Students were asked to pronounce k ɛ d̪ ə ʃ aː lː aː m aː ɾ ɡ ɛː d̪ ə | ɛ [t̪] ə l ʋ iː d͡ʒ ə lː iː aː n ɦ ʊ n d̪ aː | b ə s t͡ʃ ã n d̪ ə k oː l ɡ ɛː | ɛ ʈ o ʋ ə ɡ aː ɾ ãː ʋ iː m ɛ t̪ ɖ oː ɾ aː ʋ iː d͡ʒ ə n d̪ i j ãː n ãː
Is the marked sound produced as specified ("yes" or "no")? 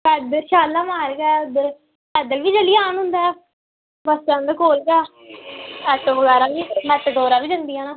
no